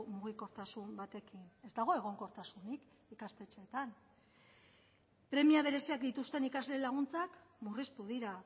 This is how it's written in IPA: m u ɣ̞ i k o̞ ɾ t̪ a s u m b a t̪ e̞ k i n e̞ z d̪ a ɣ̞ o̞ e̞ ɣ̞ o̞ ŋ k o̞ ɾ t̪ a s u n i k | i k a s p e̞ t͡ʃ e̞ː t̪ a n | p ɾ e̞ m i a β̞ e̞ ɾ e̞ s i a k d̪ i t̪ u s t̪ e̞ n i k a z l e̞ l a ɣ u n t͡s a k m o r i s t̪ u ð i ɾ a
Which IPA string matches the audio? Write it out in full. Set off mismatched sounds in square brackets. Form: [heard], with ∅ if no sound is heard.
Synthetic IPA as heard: m u ɣ̞ i k o̞ ɾ t̪ a s u m b a t̪ e̞ k i n e̞ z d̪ a ɣ̞ o̞ e̞ ɣ̞ o̞ ŋ k o̞ ɾ t̪ a s u n i k | i k a s p e̞ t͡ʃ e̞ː t̪ a n | p ɾ e̞ m i a β̞ e̞ ɾ e̞ s i a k d̪ i t̪ u s t̪ e̞ n i k a z l e̞ l a ɣ u n t͡s a k m [u] r i s t̪ u ð i ɾ a

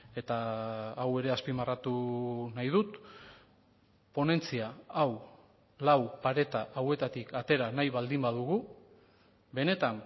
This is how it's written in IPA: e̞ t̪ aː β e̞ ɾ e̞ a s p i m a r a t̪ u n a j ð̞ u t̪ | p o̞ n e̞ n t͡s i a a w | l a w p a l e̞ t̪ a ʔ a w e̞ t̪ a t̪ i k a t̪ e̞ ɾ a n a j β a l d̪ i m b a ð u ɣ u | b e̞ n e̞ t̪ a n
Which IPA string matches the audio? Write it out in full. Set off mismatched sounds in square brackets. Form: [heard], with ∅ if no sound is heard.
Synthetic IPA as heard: e̞ t̪ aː [w] e̞ ɾ e̞ a s p i m a r a t̪ u n a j ð̞ u t̪ | p o̞ n e̞ n t͡s i a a w | l a w p a [ɾ] e̞ t̪ a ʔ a w e̞ t̪ a t̪ i k a t̪ e̞ ɾ a n a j β a l d̪ i m b a ð u ɣ u | b e̞ n e̞ t̪ a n

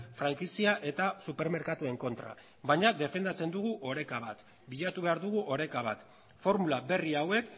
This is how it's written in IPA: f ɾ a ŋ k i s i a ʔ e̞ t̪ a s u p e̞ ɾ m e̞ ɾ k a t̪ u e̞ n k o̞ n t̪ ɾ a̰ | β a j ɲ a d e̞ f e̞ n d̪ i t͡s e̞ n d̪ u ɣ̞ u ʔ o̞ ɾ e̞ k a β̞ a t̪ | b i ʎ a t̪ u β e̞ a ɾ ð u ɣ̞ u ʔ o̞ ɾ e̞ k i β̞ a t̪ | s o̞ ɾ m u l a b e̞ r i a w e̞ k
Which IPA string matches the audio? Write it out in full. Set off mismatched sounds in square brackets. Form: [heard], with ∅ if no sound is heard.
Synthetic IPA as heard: f ɾ a ŋ k i s i a ʔ e̞ t̪ a s u p e̞ ɾ m e̞ ɾ k a t̪ u e̞ [ŋ] k o̞ n t̪ ɾ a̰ | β a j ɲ a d e̞ f e̞ n d̪ [a] t͡s e̞ n d̪ u ɣ̞ u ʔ o̞ ɾ e̞ k a β̞ a t̪ | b i ʎ a t̪ u β e̞ a ɾ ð u ɣ̞ u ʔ o̞ ɾ e̞ k [a] β̞ a t̪ | [f] o̞ ɾ m u l a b e̞ r i a w e̞ k

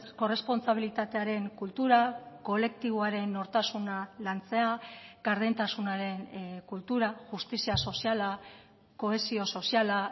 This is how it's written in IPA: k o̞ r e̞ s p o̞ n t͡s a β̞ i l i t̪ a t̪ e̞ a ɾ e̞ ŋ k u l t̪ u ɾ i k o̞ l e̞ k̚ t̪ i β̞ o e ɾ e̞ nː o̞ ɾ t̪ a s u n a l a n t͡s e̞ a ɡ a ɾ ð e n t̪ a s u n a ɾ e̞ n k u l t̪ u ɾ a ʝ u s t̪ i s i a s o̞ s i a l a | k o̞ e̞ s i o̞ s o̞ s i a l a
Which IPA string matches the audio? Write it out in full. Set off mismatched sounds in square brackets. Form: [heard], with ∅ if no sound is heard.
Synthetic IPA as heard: k o̞ r e̞ s p o̞ n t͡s a β̞ i l i t̪ a t̪ e̞ a ɾ e̞ ŋ k u l t̪ u ɾ [a] k o̞ l e̞ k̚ t̪ i β̞ o [a] ɾ e̞ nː o̞ ɾ t̪ a s u n a l a n t͡s e̞ a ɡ a ɾ ð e n t̪ a s u n a ɾ e̞ n k u l t̪ u ɾ a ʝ u s t̪ i s i a s o̞ s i a l a | k o̞ e̞ s i o̞ s o̞ s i a l a

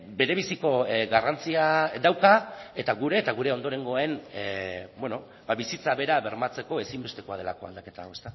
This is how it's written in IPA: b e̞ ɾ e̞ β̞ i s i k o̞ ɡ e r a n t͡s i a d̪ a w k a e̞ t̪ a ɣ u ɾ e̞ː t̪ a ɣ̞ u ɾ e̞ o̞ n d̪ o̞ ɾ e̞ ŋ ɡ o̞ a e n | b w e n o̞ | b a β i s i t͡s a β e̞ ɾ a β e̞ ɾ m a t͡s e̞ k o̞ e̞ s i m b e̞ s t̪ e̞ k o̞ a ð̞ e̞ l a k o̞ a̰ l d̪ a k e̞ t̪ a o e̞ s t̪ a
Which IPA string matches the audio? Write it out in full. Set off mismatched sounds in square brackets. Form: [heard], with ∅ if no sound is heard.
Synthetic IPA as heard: b e̞ ɾ e̞ β̞ i s i k o̞ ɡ [a] r a n t͡s i a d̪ a w k a e̞ t̪ a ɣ u ɾ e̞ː t̪ a ɣ̞ u ɾ e̞ o̞ n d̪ o̞ ɾ e̞ ŋ ɡ o̞ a e n | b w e n o̞ | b a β i s i t͡s a β e̞ ɾ a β e̞ ɾ m a t͡s e̞ k o̞ e̞ s i m b e̞ s t̪ e̞ k o̞ a ð̞ e̞ l a k o̞ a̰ l d̪ a k e̞ t̪ a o e̞ s t̪ a

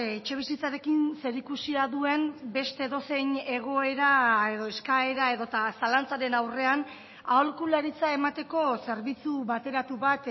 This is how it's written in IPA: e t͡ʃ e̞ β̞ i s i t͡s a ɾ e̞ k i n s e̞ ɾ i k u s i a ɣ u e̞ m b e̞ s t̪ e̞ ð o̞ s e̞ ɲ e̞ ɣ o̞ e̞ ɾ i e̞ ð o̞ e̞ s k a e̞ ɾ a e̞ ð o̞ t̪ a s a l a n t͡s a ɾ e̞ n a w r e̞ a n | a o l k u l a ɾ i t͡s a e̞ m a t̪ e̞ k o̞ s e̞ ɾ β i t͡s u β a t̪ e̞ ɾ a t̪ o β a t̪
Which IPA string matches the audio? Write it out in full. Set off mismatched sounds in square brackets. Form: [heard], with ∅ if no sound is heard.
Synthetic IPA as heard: e t͡ʃ e̞ β̞ i s i t͡s a ɾ e̞ k i n s e̞ ɾ i k u s i a [ð] u e̞ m b e̞ s t̪ e̞ ð o̞ s e̞ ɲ e̞ ɣ o̞ e̞ ɾ [a] e̞ ð o̞ e̞ s k a e̞ ɾ a e̞ ð o̞ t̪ a s a l a n t͡s a ɾ e̞ n a w r e̞ a n | a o l k u l a ɾ i t͡s a e̞ m a t̪ e̞ k o̞ s e̞ ɾ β i t͡s u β a t̪ e̞ ɾ a t̪ [u] β a t̪

